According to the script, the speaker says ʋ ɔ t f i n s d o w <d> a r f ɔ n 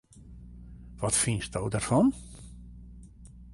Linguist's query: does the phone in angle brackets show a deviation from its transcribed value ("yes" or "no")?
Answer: no